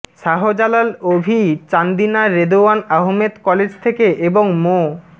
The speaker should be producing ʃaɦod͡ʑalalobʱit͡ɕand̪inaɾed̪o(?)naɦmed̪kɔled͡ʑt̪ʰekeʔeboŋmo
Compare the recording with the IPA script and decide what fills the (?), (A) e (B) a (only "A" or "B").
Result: B